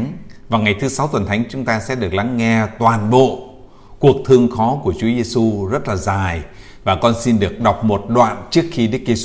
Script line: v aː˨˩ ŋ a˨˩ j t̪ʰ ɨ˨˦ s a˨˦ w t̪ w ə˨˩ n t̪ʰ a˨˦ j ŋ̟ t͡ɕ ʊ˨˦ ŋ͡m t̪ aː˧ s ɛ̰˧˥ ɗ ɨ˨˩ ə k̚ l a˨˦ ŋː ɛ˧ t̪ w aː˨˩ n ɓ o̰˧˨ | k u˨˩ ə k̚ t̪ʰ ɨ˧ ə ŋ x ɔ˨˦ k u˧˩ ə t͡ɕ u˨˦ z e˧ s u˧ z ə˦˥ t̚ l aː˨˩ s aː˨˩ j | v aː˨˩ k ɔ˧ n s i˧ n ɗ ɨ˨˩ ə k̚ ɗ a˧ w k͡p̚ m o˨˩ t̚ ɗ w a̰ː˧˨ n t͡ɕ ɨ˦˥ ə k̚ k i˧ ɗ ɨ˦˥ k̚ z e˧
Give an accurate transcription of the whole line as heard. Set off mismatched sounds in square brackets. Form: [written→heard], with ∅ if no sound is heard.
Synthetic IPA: v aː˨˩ ŋ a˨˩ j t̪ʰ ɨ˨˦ s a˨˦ w t̪ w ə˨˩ n t̪ʰ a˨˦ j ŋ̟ t͡ɕ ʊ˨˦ ŋ͡m t̪ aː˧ s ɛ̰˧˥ ɗ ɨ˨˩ ə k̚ l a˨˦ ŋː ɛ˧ t̪ w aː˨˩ n ɓ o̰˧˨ | k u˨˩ ə k̚ t̪ʰ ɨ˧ ə ŋ x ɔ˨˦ k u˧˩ ə t͡ɕ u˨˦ z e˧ s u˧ z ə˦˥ t̚ l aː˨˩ [s→z] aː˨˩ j | v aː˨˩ k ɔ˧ n s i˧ n ɗ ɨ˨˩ ə k̚ ɗ [a˧→a˨˩] w k͡p̚ m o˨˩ t̚ ɗ w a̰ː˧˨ n t͡ɕ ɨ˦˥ ə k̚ [k→x] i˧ ɗ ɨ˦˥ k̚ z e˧